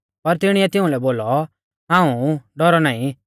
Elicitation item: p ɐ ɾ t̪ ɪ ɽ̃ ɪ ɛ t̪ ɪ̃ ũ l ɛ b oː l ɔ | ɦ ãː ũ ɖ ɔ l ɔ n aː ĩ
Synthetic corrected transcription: p ɐ ɾ t̪ ɪ ɽ̃ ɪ ɛ t̪ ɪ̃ ũ l ɛ b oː l ɔ | ɦ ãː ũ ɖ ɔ ɾ ɔ n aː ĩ